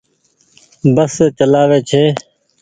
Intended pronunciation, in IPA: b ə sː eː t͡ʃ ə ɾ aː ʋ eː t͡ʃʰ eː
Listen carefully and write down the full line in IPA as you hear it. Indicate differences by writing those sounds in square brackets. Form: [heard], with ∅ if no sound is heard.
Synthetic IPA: b ə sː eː t͡ʃ ə [l] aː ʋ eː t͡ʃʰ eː